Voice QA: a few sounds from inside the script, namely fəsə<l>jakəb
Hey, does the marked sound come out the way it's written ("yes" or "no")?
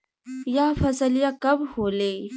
yes